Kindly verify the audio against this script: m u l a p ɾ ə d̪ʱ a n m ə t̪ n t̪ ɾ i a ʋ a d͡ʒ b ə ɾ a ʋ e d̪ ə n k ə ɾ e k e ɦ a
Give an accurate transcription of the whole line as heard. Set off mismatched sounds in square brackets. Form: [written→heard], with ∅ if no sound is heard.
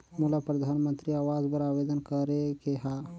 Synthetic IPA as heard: m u l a p ɾ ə d̪ʱ a n m ə [t̪→∅] n t̪ ɾ i a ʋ a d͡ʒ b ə ɾ a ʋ e d̪ ə n k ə ɾ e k e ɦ a

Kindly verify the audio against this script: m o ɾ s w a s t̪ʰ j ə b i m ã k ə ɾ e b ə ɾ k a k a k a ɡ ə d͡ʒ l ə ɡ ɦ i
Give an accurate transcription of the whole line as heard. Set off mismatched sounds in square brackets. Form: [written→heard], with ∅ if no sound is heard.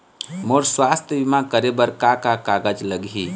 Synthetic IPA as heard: m o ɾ s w a s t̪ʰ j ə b i m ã k ə ɾ e b ə ɾ k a k a k a ɡ ə d͡ʒ l ə ɡ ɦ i

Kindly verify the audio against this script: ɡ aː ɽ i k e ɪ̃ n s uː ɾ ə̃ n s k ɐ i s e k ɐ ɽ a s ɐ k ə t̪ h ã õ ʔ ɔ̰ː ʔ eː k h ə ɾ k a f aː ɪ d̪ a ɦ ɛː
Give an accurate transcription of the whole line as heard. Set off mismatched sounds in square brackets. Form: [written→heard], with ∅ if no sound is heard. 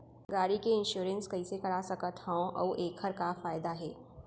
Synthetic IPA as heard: ɡ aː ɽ i k e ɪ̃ n [s→ʃ] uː ɾ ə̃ n s k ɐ i s e k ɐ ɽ a s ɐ k ə t̪ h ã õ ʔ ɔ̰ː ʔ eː k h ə ɾ k a f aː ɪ d̪ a ɦ ɛː

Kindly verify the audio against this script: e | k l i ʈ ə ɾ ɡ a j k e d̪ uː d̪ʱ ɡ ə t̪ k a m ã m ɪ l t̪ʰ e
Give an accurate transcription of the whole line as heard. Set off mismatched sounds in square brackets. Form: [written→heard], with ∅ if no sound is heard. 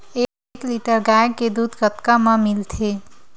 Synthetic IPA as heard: e | k l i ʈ ə ɾ ɡ a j k e d̪ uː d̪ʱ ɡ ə t̪ k a m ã m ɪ l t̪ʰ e

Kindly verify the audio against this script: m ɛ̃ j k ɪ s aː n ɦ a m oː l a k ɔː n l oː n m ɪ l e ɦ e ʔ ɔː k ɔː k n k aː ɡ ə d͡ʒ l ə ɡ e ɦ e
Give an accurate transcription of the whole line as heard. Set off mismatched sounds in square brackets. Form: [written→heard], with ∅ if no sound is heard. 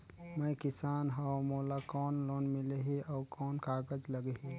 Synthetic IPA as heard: m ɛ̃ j k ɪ s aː n ɦ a m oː l a k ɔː n l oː n m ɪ l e ɦ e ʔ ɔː k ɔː [k→∅] n k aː ɡ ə d͡ʒ l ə ɡ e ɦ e

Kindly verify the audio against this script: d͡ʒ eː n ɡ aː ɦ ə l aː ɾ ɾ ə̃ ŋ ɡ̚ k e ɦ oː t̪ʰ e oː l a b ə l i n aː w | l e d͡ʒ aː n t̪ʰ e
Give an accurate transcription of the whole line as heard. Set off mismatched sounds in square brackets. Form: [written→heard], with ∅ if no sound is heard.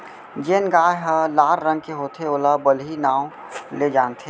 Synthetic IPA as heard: d͡ʒ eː n ɡ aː ɦ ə l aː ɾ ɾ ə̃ ŋ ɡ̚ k e ɦ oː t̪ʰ e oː l a b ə l i n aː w | l e d͡ʒ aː n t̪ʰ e

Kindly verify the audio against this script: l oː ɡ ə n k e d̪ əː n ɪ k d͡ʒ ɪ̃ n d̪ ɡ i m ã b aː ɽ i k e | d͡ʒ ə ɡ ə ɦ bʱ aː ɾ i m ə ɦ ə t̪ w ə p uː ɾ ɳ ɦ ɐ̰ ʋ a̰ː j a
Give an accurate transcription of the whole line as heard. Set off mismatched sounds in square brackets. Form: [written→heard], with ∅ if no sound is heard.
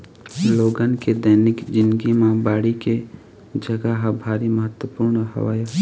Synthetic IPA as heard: l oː ɡ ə n k e d̪ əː n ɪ k d͡ʒ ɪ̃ n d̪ ɡ i m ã b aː ɽ i k e | d͡ʒ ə ɡ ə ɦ bʱ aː ɾ i m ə ɦ ə t̪ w ə p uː ɾ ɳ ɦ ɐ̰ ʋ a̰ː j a

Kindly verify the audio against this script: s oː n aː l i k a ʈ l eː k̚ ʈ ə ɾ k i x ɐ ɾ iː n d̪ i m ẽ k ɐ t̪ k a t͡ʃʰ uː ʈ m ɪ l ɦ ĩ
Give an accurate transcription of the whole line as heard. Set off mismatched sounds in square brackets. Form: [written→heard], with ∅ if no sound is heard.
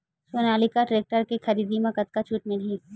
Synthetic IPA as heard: s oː n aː l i k a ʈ [l→ɾ] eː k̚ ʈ ə ɾ k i x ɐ ɾ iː [n→∅] d̪ i m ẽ k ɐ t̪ k a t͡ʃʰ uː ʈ m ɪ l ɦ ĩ

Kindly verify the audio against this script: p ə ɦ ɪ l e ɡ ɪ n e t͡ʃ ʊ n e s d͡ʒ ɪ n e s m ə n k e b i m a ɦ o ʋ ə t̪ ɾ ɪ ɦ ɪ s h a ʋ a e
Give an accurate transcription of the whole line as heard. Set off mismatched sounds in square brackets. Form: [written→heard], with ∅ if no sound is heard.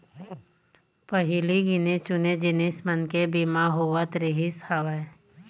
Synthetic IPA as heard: p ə ɦ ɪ l [e→i] ɡ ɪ n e t͡ʃ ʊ n e [s→∅] d͡ʒ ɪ n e s m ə n k e b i m a ɦ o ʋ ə t̪ ɾ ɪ ɦ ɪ s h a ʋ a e

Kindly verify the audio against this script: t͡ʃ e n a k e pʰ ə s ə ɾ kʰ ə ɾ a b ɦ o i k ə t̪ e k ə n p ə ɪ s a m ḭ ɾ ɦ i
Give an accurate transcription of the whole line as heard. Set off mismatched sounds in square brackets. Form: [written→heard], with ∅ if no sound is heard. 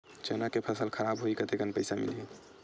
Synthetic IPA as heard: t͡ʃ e n a k e pʰ ə s ə [ɾ→l] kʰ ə ɾ a b ɦ o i k ə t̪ e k ə n p ə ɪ s a m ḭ [ɾ→l] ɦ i

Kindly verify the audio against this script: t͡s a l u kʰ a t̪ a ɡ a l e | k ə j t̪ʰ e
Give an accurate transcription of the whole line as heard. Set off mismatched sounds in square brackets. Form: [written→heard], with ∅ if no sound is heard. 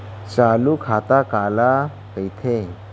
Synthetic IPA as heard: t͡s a l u kʰ a t̪ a [ɡ→k] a l [e→a] | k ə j t̪ʰ e

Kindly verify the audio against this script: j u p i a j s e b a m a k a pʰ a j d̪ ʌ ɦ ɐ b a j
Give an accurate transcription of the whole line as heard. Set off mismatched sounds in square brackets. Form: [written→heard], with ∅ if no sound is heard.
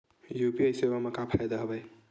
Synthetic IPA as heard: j u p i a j s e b a m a k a pʰ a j d̪ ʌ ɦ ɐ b a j

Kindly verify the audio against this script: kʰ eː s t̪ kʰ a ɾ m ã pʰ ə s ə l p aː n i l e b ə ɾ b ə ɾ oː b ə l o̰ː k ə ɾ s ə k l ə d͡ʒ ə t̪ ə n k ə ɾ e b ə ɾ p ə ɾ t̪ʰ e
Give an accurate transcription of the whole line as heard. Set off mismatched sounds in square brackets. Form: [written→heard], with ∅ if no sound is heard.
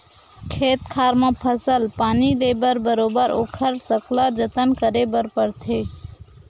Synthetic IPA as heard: kʰ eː [s→∅] t̪ kʰ a ɾ m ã pʰ ə s ə l p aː n i l e b ə ɾ b ə ɾ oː b ə [l→ɾ] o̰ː [k→kʰ] ə ɾ s ə k l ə d͡ʒ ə t̪ ə n k ə ɾ e b ə ɾ p ə ɾ t̪ʰ e

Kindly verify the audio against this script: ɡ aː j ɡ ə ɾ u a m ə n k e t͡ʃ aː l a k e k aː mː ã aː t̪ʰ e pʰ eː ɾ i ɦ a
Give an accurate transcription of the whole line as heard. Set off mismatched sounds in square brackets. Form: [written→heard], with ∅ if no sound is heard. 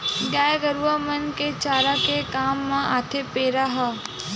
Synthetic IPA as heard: ɡ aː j ɡ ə ɾ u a m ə n k e t͡ʃ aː [l→ɾ] a k e k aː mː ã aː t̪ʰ e [pʰ→p] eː ɾ [i→a] ɦ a

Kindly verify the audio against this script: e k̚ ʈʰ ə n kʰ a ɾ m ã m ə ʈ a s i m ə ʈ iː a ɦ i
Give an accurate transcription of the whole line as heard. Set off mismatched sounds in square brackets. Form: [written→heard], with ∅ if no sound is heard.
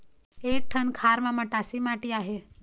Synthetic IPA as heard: e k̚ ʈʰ ə n kʰ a ɾ m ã m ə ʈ a s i m [ə→a] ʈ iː a ɦ [i→e]

